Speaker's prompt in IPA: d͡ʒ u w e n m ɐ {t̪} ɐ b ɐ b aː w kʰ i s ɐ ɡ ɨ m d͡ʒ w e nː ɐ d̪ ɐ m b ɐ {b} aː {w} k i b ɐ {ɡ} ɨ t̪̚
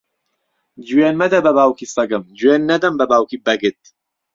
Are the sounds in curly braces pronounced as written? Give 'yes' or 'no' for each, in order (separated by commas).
no, yes, yes, yes